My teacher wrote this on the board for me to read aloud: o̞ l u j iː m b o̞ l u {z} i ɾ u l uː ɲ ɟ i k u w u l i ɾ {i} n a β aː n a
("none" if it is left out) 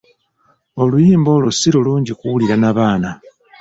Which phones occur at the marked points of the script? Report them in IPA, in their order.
s, a

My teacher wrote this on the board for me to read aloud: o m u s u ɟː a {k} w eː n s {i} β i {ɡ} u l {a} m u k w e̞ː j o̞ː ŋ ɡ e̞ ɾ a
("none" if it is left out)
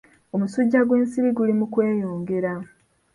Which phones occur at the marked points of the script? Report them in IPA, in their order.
ɡ, i, ɡ, i

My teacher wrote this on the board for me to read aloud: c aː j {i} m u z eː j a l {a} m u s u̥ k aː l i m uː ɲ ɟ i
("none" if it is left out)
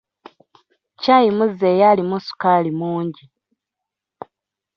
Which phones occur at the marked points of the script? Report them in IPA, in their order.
i, i

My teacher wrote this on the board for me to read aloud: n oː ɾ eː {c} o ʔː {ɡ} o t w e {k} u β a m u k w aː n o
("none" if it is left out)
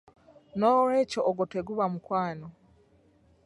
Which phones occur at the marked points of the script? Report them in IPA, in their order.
c, ɡ, ɡ

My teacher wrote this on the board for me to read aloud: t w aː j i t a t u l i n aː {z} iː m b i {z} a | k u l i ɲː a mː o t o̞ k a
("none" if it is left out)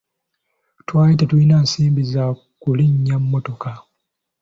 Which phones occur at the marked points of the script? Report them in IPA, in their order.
s, z

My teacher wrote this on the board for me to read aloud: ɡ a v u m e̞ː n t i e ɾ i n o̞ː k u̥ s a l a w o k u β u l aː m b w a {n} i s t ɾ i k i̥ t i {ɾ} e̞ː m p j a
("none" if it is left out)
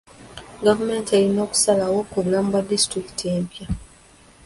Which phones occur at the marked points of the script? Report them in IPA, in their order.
d, none

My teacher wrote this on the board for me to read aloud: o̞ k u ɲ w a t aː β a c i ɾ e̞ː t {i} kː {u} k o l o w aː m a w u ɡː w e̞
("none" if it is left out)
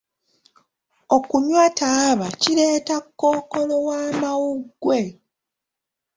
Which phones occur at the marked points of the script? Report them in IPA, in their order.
a, o

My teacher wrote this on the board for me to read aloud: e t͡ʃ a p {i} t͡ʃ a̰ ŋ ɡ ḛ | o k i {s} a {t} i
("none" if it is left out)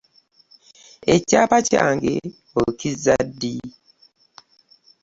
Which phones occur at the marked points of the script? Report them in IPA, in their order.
a, z, d

